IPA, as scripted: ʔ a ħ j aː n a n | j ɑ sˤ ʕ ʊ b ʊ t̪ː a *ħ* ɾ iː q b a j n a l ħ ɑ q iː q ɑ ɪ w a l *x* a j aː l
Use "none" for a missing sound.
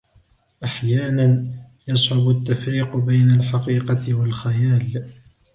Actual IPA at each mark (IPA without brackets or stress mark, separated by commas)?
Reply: f, x